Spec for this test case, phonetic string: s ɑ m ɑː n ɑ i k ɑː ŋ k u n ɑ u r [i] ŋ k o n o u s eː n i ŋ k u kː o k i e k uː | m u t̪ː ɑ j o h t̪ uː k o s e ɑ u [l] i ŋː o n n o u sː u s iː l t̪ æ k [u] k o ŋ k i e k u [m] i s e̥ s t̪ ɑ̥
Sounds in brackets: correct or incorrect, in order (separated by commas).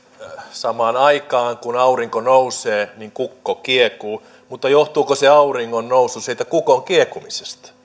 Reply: correct, incorrect, correct, correct